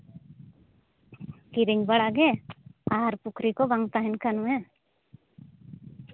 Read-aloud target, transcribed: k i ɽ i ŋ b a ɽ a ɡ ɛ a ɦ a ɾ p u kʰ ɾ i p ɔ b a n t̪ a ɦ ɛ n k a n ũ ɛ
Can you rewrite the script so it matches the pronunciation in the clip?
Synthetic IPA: k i ɾ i ŋ b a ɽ a ɡ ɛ a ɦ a ɾ p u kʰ ɾ i k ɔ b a ŋ t̪ a ɦ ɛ n k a n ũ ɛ